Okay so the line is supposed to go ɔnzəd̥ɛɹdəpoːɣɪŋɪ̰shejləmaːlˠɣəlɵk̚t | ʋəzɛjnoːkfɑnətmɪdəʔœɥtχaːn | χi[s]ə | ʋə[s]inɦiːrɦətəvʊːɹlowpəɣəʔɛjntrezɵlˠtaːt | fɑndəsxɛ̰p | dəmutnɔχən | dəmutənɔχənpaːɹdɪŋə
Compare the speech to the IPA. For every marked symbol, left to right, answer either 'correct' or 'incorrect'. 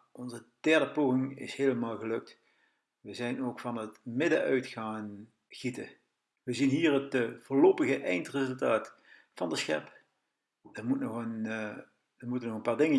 incorrect, incorrect

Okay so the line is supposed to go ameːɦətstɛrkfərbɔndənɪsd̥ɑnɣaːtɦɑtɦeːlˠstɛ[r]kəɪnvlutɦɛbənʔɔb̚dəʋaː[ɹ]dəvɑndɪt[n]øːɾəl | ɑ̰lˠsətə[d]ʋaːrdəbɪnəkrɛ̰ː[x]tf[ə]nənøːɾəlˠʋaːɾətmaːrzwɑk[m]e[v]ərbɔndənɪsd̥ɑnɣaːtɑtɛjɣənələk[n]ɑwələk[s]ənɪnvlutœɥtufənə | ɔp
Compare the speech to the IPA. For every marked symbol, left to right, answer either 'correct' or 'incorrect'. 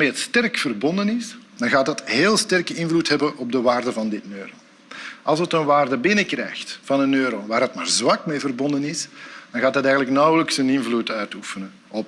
correct, incorrect, correct, incorrect, correct, incorrect, correct, correct, correct, correct

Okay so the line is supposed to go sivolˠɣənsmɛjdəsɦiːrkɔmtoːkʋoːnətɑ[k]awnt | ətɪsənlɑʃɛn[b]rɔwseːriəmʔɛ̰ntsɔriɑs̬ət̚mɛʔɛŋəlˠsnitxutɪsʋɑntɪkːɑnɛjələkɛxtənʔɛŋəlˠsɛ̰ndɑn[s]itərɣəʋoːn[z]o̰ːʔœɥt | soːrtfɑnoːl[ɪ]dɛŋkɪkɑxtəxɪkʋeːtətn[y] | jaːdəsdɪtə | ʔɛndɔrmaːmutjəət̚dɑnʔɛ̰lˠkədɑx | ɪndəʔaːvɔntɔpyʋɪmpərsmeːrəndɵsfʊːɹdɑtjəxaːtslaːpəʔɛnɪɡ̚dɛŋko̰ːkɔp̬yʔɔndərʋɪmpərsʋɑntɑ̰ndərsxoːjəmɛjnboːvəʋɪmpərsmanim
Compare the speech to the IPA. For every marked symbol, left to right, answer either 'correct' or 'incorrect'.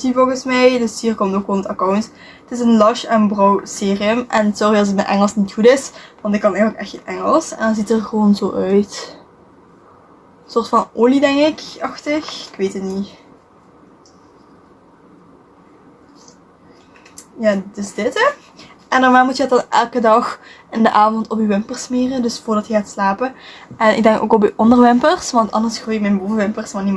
correct, correct, incorrect, correct, incorrect, incorrect

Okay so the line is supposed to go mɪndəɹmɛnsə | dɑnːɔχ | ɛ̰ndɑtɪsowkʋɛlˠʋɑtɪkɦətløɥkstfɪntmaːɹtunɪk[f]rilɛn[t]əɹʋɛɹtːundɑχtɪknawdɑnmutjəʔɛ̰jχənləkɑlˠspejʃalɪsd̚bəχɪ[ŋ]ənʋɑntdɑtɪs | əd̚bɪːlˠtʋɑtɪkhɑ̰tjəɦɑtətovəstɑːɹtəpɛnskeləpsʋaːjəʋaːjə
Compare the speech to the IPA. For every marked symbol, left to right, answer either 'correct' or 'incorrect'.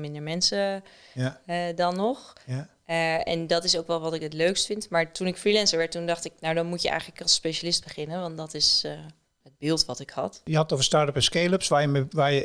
correct, incorrect, incorrect

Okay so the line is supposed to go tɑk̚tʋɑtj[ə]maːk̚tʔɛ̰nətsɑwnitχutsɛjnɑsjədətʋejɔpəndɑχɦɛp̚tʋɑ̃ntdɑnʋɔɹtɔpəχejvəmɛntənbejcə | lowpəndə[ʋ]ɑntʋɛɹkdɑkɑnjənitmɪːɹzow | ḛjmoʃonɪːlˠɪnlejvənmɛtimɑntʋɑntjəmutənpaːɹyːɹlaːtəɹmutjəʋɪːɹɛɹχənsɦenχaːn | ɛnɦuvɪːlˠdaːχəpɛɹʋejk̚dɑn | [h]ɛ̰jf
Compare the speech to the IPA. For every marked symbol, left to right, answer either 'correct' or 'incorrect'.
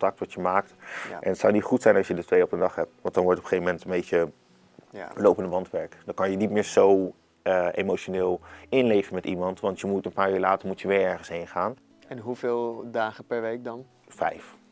correct, correct, incorrect

